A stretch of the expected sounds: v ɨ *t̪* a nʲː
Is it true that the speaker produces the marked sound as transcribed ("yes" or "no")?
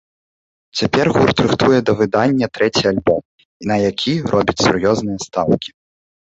no